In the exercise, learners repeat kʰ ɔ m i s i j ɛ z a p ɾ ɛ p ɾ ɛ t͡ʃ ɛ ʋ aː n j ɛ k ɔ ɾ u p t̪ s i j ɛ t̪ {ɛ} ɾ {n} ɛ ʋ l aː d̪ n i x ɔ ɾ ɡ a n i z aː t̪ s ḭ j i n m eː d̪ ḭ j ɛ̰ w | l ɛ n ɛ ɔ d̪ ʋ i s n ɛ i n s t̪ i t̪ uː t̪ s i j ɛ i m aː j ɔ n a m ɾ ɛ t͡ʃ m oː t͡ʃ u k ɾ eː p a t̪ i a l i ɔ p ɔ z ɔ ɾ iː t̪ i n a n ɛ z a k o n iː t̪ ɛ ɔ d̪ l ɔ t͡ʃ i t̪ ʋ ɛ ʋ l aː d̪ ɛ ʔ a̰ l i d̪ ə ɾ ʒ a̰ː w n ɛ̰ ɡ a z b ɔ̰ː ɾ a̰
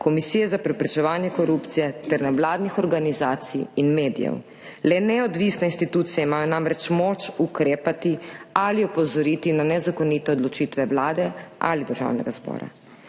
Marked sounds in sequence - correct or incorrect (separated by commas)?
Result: correct, correct